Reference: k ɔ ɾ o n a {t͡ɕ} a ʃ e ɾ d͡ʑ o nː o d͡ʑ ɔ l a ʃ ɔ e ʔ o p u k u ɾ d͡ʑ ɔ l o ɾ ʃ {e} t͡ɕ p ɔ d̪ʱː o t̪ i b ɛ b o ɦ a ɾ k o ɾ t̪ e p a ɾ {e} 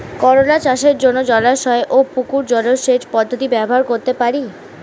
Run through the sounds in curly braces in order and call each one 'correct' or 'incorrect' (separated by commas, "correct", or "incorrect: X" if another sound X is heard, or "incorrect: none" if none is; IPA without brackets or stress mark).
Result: correct, correct, incorrect: i